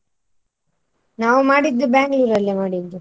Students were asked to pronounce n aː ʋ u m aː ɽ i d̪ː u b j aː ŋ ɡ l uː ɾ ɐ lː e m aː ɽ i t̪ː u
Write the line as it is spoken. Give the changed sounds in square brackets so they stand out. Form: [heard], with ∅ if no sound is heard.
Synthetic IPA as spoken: n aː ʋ u m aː ɽ i d̪ː u b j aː ŋ ɡ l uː ɾ ɐ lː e m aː ɽ i [d̪ː] u